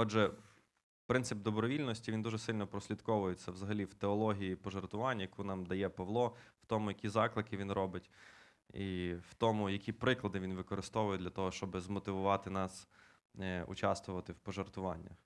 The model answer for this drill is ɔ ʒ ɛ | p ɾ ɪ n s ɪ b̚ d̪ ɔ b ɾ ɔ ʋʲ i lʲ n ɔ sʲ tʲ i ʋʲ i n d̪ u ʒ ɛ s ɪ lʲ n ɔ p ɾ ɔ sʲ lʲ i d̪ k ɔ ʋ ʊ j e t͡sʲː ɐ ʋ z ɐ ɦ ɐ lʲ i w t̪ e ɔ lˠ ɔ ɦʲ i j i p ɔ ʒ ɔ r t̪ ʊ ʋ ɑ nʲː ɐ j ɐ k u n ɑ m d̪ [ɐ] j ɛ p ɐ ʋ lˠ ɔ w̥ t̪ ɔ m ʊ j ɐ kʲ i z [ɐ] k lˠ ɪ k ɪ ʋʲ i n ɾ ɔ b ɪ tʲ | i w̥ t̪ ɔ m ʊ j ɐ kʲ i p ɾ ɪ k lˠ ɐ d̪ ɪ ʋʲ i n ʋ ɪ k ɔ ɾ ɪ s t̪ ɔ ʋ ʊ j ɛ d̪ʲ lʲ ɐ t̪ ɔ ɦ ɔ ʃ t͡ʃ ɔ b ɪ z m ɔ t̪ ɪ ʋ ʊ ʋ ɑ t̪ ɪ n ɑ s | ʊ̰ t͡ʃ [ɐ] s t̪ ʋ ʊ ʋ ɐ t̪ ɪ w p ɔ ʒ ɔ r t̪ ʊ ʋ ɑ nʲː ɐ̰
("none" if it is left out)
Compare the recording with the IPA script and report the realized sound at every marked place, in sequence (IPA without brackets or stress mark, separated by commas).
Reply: ɐ, ɑ, ɑ